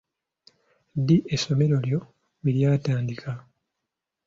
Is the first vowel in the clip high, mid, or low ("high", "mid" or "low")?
high